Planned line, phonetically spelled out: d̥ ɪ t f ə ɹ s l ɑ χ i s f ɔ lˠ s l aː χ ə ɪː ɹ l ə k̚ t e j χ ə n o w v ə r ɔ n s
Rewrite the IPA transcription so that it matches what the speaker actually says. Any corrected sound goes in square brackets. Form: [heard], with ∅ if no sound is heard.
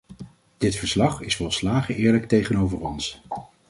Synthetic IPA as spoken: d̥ ɪ t f ə ɹ s l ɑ χ [ɪ] s f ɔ lˠ s l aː χ ə ɪː ɹ l ə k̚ t e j χ ə n o w v ə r ɔ n s